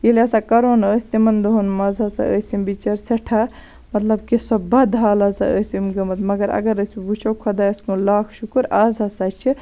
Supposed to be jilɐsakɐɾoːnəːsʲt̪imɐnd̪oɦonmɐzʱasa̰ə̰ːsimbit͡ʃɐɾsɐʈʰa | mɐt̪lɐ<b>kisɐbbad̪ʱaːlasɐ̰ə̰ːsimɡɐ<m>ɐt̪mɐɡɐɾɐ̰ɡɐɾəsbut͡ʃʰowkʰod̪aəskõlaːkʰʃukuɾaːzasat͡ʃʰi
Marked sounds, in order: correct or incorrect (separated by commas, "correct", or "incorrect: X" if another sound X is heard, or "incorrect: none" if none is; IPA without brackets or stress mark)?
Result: correct, correct